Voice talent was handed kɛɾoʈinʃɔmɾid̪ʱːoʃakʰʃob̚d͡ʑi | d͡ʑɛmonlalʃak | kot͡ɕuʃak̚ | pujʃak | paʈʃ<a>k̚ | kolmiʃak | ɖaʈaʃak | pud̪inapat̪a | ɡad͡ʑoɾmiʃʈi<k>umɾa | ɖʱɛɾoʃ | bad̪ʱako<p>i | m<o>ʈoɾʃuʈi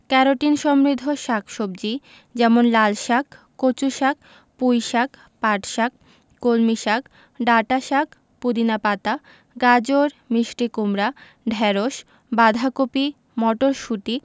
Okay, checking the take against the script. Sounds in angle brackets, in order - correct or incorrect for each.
correct, correct, correct, incorrect

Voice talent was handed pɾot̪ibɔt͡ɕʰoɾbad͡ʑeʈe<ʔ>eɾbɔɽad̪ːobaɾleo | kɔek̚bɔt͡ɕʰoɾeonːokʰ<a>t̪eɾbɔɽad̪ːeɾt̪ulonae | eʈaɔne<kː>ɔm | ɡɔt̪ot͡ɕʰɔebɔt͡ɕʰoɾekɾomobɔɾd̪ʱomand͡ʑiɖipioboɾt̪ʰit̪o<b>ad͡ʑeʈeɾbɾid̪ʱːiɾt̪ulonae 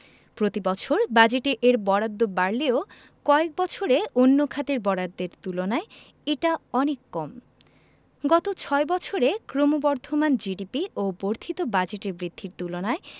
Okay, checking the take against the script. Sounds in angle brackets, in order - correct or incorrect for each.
correct, correct, correct, correct

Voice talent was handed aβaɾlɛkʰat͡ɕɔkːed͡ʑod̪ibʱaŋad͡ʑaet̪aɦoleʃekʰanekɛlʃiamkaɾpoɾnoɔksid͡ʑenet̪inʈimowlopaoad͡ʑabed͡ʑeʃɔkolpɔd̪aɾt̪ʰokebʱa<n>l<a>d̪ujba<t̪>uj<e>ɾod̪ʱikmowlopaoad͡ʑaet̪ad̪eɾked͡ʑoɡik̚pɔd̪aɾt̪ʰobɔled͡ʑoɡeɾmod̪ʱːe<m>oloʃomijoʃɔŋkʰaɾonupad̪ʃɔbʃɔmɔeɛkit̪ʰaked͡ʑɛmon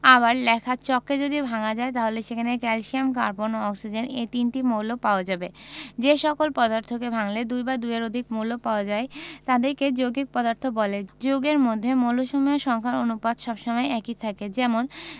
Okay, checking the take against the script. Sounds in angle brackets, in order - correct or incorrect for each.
incorrect, incorrect, incorrect, correct, correct

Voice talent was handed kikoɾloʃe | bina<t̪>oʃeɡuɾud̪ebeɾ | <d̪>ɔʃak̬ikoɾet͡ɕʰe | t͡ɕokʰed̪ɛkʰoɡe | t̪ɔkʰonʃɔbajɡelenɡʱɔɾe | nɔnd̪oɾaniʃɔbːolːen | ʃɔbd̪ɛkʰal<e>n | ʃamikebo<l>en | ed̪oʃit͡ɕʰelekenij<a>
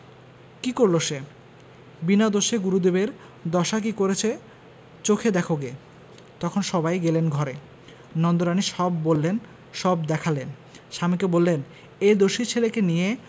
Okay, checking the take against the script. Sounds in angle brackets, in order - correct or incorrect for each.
incorrect, correct, correct, incorrect, incorrect

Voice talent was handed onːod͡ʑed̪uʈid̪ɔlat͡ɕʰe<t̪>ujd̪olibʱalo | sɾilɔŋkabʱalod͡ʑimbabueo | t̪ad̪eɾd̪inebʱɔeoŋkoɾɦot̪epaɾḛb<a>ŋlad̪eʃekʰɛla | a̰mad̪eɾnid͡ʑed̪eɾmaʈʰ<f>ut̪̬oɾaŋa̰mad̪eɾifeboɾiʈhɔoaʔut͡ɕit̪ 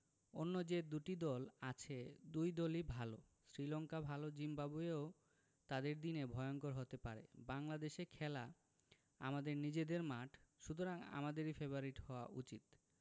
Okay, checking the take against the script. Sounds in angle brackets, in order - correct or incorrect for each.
incorrect, correct, incorrect

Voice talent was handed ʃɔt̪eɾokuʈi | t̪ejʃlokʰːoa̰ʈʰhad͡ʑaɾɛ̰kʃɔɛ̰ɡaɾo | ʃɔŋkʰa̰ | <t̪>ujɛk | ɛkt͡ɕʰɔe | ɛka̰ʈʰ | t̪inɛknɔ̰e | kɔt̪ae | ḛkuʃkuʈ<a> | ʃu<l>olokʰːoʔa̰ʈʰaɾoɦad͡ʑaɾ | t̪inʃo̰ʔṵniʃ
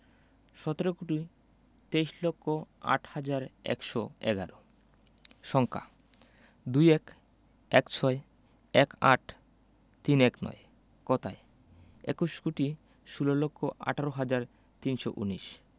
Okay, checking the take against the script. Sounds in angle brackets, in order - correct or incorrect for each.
incorrect, incorrect, correct

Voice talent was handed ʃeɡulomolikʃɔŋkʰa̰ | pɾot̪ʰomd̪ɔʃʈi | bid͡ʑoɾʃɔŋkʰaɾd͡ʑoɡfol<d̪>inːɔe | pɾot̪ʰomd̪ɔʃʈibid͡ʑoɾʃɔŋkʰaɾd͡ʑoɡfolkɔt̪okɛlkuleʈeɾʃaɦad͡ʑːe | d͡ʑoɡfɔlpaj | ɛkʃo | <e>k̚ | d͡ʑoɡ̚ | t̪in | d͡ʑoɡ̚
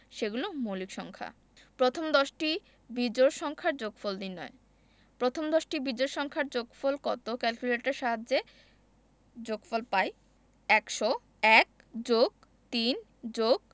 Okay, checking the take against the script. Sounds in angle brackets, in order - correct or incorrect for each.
correct, incorrect

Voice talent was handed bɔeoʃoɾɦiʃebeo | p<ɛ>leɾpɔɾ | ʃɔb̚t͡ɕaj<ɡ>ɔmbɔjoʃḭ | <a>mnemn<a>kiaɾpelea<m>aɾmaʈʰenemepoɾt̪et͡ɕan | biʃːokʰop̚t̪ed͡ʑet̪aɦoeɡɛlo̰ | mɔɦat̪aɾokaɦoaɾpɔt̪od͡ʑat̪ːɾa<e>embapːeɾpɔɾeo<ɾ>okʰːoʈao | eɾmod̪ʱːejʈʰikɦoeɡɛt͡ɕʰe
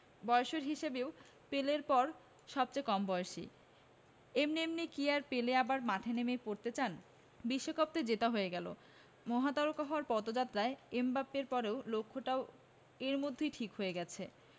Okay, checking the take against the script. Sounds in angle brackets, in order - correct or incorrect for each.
incorrect, incorrect, incorrect, incorrect, incorrect, correct, incorrect

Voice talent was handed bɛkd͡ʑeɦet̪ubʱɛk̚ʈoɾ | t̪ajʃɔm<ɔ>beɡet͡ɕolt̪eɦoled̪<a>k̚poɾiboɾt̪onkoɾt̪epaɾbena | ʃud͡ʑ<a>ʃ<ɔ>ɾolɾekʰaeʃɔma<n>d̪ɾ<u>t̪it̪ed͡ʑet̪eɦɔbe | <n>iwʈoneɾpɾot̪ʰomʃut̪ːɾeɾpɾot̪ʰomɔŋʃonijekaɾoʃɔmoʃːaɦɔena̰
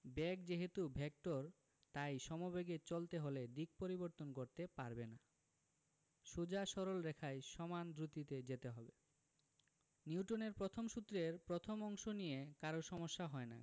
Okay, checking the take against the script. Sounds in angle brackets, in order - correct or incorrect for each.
incorrect, incorrect, correct, correct, correct, correct, correct

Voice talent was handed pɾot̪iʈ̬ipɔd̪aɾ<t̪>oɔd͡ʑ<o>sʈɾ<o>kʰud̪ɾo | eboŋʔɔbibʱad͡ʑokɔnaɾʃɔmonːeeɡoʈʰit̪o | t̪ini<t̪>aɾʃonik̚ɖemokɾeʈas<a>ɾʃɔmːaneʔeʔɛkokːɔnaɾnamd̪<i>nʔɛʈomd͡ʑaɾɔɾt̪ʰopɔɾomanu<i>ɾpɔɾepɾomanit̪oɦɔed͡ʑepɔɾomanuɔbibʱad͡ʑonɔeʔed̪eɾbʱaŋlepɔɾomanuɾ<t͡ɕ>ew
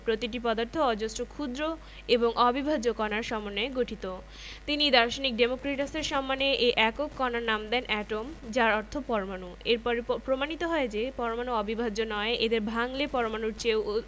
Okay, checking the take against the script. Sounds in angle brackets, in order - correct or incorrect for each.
incorrect, correct, correct, incorrect, incorrect, incorrect, incorrect, correct

